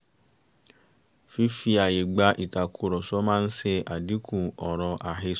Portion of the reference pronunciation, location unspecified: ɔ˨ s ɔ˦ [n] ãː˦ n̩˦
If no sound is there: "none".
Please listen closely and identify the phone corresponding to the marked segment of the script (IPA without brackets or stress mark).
m